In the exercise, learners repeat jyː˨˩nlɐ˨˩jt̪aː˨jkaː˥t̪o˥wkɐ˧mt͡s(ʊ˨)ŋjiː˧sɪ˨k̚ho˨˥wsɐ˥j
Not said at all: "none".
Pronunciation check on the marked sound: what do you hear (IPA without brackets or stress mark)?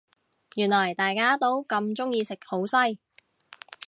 ʊ˥